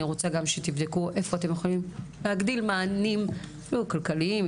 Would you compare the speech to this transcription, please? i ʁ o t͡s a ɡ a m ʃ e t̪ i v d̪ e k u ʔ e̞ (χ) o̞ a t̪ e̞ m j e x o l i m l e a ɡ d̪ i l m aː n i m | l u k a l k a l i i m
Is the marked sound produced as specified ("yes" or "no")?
no